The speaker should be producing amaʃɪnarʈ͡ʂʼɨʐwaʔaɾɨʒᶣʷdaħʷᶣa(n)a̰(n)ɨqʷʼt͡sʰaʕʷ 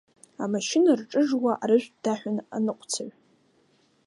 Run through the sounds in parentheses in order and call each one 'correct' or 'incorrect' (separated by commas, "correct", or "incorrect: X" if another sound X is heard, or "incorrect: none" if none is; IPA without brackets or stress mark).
correct, correct